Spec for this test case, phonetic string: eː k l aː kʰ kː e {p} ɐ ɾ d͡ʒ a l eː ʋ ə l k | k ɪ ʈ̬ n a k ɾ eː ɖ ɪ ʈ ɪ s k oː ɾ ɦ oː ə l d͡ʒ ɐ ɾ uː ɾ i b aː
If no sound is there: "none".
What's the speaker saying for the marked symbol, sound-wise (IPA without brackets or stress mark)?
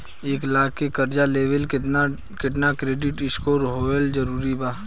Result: k